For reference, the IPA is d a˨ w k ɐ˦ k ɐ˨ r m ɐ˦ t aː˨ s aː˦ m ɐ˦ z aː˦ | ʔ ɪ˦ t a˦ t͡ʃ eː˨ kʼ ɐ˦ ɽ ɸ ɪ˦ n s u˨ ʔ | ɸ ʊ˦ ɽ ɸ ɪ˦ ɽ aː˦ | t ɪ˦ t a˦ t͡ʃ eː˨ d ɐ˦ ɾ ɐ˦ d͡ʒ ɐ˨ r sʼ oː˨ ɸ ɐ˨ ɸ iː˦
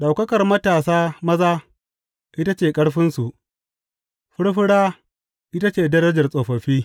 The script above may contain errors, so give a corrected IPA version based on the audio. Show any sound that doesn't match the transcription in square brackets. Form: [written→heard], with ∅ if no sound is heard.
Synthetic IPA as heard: [d→ɗ] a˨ w k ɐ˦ k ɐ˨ r m ɐ˦ t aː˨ s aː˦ m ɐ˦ z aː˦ | ʔ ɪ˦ t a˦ t͡ʃ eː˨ kʼ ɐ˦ ɽ ɸ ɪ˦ n s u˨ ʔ | ɸ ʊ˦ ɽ ɸ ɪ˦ ɽ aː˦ | [t→ʔ] ɪ˦ t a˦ t͡ʃ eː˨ d ɐ˦ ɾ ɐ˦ d͡ʒ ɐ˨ r sʼ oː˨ ɸ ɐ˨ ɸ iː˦